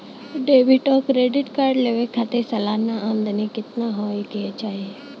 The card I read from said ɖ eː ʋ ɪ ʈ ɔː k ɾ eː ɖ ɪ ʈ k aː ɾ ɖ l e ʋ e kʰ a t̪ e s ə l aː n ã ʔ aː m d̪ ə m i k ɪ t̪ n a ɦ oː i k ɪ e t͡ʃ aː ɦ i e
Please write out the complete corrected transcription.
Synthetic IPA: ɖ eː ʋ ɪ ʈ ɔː k ɾ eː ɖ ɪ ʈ k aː ɾ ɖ l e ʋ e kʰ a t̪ e s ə l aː n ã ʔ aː m d̪ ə n i k ɪ t̪ n a ɦ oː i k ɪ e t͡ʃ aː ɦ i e

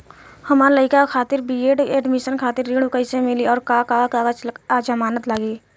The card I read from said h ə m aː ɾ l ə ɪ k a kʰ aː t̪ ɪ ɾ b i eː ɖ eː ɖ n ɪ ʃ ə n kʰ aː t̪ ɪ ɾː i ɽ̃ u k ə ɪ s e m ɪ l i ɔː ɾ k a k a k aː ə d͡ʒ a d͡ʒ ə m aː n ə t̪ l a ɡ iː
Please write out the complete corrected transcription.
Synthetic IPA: h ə m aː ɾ l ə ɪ k a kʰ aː t̪ ɪ ɾ b i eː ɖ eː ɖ m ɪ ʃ ə n kʰ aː t̪ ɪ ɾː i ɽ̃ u k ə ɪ s e m ɪ l i ɔː ɾ k a k a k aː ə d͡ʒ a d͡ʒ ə m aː n ə t̪ l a ɡ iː

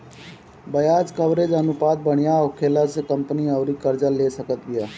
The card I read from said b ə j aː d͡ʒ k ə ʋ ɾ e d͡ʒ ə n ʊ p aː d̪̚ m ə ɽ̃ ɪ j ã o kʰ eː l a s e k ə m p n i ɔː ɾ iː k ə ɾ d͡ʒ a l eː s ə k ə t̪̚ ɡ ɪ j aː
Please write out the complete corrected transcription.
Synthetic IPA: b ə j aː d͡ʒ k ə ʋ ɾ e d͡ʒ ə n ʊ p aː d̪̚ b ə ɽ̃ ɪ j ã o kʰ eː l a s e k ə m p n i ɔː ɾ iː k ə ɾ d͡ʒ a l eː s ə k ə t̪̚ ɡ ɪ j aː

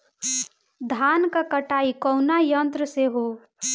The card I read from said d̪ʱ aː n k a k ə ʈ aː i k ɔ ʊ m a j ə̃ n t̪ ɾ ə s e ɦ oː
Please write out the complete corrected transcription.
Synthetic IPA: d̪ʱ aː n k a k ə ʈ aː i k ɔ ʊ n a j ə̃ n t̪ ɾ ə s e ɦ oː

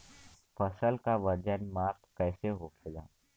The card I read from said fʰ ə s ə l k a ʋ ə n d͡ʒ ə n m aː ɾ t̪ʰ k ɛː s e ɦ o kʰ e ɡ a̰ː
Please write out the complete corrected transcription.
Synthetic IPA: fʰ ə s ə l k a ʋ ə d͡ʒ ə n m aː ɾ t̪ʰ k ɛː s e ɦ o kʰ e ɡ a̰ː

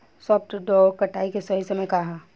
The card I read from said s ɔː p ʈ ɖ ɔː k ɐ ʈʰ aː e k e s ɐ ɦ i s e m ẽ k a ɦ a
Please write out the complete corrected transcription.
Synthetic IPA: s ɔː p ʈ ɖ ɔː k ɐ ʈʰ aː i k e s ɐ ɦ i s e m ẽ k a ɦ a

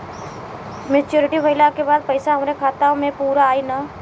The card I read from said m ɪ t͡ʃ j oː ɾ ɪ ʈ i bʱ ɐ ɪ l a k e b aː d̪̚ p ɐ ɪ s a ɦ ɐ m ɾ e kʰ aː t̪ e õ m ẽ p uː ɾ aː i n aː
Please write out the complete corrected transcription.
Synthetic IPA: m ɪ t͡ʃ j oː ɾ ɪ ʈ i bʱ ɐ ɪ l a k e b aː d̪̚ p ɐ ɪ s a ɦ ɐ m ɾ e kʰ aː t̪ a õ m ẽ p uː ɾ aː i n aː

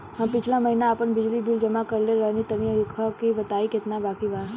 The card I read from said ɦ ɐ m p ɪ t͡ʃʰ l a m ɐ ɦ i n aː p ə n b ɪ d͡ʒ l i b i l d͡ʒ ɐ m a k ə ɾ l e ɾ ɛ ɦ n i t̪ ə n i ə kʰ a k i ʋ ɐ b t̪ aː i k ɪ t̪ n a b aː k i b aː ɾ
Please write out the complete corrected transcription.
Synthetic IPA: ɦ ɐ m p ɪ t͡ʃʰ l a m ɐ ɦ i n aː p ə n b ɪ d͡ʒ l i b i l d͡ʒ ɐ m a k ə ɾ l e ɾ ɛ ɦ n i t̪ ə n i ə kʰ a k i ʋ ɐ t̪ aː i k ɪ t̪ n a b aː k i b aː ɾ

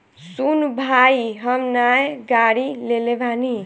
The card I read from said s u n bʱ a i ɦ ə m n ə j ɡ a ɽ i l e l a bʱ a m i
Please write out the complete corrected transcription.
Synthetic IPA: s u n bʱ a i ɦ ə m n a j ɡ a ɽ i l e l e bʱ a n i

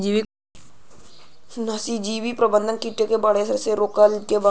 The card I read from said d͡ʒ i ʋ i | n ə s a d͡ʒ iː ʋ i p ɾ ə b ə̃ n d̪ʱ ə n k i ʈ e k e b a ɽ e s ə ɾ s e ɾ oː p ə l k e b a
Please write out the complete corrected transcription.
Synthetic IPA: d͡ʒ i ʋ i | n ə s i d͡ʒ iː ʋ i p ɾ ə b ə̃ n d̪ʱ ə n k i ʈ e k e b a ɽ e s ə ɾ s e ɾ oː k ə l k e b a

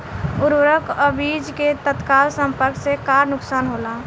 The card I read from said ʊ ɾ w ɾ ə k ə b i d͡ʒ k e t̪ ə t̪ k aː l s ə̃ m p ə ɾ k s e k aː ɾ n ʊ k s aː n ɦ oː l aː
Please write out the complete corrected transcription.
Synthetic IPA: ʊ ɾ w ɾ ə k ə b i d͡ʒ k e t̪ ə t̪ k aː l s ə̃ m p ə ɾ k s e k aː ɾ n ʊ k s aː n ɦ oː l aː

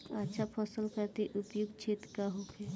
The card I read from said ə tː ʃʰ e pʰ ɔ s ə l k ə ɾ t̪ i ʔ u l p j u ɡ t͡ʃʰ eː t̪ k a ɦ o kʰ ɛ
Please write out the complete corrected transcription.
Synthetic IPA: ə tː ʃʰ a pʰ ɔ s ə l k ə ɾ t̪ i ʔ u p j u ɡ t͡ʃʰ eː t̪ k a ɦ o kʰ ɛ

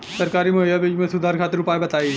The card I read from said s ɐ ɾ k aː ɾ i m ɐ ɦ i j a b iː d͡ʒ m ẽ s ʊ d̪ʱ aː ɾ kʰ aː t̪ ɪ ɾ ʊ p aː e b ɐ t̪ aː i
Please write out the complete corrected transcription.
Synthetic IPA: s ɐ ɾ k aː ɾ i m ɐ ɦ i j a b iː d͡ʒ m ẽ s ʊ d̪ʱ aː ɾ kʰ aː t̪ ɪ ɾ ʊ p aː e b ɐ t̪ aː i

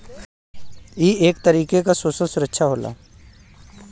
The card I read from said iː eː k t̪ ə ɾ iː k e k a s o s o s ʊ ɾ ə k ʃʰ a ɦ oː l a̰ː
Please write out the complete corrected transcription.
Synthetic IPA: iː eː k t̪ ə ɾ iː k e k a s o s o s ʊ ɾ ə k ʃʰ a ɦ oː l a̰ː

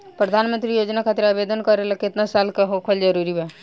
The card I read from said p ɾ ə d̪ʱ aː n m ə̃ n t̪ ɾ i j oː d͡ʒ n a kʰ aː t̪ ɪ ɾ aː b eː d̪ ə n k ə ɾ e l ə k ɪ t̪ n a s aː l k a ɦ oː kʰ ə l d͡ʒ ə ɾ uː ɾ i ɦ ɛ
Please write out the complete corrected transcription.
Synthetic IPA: p ɾ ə d̪ʱ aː n m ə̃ n t̪ ɾ i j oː d͡ʒ n a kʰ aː t̪ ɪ ɾ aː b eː d̪ ə n k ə ɾ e l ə k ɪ t̪ n a s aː l k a ɦ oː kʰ ə l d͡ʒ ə ɾ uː ɾ i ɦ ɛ

